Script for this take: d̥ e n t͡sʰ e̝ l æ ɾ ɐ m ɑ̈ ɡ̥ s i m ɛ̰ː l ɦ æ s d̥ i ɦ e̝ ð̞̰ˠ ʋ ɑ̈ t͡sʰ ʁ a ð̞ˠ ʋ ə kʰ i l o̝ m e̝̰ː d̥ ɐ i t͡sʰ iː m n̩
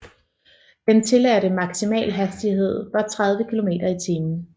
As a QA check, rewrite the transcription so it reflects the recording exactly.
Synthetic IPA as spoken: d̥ e n t͡sʰ e̝ l æ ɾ ə m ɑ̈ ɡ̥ s i m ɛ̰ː l ɦ æ s d̥ i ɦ e̝ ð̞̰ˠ ʋ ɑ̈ t͡sʰ ʁ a ð̞ˠ ʋ ə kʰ i l o̝ m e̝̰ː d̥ ɐ i t͡sʰ iː m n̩